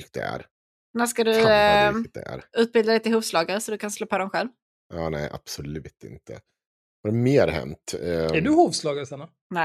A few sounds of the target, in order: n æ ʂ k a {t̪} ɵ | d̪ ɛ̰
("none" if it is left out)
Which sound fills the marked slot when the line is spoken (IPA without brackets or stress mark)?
d̪